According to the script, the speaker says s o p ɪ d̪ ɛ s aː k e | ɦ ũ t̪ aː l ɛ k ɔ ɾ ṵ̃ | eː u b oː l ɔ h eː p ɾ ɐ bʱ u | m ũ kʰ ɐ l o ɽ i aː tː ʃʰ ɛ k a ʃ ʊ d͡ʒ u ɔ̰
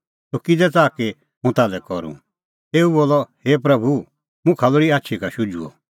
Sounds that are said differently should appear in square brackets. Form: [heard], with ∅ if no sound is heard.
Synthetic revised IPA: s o [k] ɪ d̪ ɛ [t͡s] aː k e | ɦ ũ t̪ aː l ɛ k ɔ ɾ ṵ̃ | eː u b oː l ɔ h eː p ɾ ɐ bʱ u | m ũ kʰ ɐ l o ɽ i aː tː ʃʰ [i] k a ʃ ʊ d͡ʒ u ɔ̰